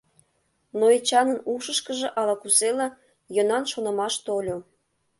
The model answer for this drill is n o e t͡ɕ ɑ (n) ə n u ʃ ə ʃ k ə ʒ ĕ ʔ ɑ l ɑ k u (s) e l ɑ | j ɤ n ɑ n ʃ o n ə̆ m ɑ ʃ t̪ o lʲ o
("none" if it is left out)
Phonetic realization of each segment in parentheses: n, s

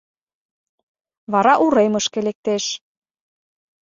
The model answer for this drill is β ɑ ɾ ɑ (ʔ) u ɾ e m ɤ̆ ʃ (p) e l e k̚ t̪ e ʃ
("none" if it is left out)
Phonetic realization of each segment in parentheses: ʔ, k

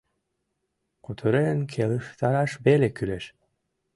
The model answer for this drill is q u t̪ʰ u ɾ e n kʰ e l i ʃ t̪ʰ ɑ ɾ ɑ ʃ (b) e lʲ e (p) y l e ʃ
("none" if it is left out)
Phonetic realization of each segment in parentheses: b, k

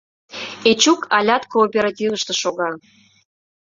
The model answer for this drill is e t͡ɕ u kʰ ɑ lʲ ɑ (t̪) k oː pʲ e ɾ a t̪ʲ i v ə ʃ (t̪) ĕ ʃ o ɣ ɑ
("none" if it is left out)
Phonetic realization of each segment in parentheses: t̪, t̪

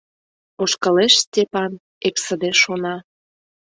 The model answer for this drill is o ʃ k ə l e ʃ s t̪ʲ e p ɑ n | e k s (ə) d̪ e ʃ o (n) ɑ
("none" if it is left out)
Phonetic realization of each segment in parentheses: ə, n

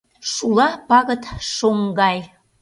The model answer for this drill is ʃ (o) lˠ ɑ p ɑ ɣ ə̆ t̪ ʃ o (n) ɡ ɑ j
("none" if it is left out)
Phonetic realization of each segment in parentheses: u, ŋ

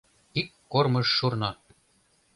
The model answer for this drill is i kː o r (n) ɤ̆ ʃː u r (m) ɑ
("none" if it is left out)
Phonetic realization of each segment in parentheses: m, n

